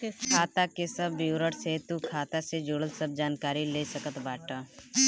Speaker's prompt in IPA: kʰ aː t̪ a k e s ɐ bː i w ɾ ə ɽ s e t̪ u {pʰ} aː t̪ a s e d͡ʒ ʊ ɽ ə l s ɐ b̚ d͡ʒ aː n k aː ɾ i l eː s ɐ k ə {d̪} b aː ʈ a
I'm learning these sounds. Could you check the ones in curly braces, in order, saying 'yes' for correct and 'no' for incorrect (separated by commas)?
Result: no, no